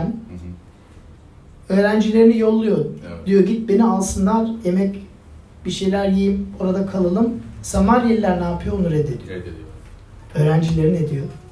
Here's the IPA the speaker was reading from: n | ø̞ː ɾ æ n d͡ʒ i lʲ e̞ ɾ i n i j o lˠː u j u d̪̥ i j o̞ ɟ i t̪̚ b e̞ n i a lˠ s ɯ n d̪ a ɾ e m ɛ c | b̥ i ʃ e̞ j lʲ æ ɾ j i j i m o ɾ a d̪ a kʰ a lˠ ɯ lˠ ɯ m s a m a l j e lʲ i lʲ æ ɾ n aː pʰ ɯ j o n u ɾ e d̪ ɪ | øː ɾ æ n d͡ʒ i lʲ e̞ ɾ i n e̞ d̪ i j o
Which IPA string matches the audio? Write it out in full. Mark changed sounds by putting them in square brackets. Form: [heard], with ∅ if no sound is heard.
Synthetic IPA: n | ø̞ː ɾ æ n d͡ʒ i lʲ e̞ ɾ i n i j o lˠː u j [o] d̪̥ i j o̞ ɟ i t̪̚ b e̞ n i a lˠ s ɯ n d̪ a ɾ e m ɛ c | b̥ i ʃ e̞ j lʲ æ ɾ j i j i m o ɾ a d̪ a kʰ a lˠ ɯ lˠ ɯ m s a m a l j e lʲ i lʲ æ ɾ n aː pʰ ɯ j o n u ɾ e d̪ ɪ | øː ɾ æ n d͡ʒ i lʲ e̞ ɾ i n e̞ d̪ i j o